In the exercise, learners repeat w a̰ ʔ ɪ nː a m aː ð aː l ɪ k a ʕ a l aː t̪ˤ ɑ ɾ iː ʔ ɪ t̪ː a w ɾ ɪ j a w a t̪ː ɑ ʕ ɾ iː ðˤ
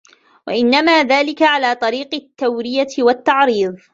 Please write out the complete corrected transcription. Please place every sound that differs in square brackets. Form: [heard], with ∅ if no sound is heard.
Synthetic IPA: w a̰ ʔ ɪ nː a m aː ð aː l ɪ k a ʕ a l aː t̪ˤ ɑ ɾ iː [q] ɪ t̪ː a w ɾ ɪ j a w a t̪ː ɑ ʕ ɾ iː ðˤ